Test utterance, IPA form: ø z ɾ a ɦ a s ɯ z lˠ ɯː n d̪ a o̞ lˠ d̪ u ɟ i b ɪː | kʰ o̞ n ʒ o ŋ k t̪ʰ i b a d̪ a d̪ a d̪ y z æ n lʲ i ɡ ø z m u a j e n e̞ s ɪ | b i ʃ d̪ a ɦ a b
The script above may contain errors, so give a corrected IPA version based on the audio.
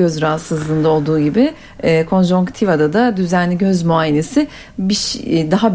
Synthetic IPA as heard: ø z ɾ a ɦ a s ɯ z lˠ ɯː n d̪ a o̞ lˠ d̪ uː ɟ i b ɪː | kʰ o̞ n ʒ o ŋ k t̪ʰ i v a d̪ a d̪ a d̪ y z æ n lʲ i ɟ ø z m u a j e n e̞ s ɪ | b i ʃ d̪ a ɦ a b